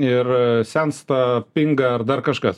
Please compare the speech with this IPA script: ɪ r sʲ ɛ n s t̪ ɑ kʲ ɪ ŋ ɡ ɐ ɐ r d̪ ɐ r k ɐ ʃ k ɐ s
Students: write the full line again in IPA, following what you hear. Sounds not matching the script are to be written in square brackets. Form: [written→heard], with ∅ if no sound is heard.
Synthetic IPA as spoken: ɪ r sʲ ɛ n s t̪ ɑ [kʲ→pʲ] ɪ ŋ ɡ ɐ ɐ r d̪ ɐ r k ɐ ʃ k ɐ s